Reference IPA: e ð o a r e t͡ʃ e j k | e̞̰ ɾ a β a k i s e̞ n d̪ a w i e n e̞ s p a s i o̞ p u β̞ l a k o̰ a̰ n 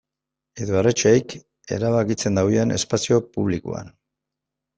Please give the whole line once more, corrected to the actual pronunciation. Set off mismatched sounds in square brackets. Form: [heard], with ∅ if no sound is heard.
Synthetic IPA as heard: e ð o a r e t͡ʃ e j k | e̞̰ ɾ a β a k i [t͡s] e̞ n d̪ a w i e n e̞ s p a s i o̞ p u β̞ l [i] k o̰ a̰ n